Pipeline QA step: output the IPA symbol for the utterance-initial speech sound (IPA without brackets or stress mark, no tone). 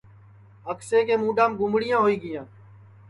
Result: ə